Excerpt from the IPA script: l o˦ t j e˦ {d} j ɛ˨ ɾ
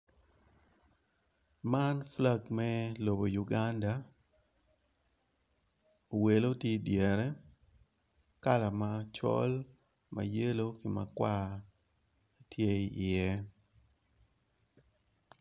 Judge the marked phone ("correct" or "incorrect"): correct